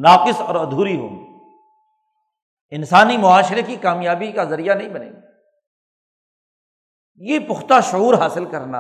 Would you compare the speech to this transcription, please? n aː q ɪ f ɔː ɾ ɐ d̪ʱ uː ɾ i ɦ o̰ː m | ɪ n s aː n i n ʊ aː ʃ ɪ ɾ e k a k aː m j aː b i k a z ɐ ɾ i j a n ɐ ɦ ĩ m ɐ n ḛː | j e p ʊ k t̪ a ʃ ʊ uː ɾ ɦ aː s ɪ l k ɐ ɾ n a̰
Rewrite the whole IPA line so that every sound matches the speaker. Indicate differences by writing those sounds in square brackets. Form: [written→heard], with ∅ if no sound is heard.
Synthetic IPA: n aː q ɪ [f→s] ɔː ɾ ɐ d̪ʱ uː ɾ i ɦ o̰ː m | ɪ n s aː n i [n→m] ʊ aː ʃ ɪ ɾ e k [a→i] k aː m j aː b i k a z ɐ ɾ i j a n ɐ ɦ ĩ [m→b] ɐ n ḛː | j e p ʊ [k→x] t̪ a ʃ ʊ uː ɾ ɦ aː s ɪ l k ɐ ɾ n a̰